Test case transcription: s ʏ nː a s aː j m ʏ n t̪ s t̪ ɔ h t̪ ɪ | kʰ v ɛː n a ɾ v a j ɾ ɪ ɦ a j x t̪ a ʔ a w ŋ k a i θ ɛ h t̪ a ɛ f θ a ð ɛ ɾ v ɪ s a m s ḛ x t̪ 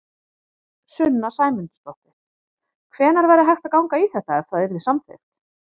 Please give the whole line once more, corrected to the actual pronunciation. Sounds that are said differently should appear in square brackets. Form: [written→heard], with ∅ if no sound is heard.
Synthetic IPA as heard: s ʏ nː a s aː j m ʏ n t̪ s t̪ ɔ h t̪ ɪ | kʰ v ɛː n a ɾ v a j ɾ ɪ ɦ a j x t̪ a [ʔ→k] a w ŋ k a i θ ɛ h t̪ a ɛ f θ a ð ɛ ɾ [v→ð] ɪ s a m [s→θ] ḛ x t̪